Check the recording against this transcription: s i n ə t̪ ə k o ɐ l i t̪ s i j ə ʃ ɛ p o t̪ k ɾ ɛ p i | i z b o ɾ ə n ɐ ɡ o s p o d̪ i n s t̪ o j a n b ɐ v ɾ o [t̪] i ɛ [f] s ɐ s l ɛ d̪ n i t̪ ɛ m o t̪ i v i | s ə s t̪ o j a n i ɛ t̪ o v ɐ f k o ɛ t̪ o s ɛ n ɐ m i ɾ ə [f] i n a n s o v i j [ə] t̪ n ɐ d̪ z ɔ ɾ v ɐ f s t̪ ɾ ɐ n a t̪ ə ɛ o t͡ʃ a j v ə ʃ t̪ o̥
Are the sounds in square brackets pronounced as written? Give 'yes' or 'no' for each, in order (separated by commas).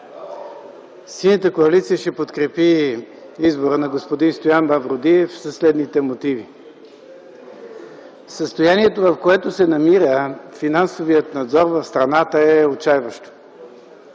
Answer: no, yes, yes, yes